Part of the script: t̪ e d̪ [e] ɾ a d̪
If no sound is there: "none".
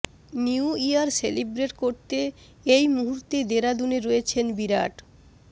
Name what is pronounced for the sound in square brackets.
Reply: e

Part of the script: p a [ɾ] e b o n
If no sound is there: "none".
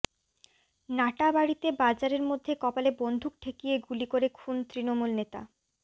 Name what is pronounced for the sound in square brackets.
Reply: l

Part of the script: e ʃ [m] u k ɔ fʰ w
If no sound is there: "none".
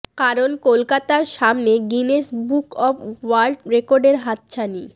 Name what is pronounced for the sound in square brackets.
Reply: b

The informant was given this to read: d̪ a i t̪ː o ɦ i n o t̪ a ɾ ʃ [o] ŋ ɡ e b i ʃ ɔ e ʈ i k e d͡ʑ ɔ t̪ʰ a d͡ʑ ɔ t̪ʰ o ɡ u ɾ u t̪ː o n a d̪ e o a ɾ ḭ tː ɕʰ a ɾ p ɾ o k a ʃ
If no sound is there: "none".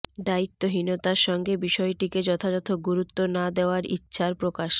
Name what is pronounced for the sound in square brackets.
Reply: ɔ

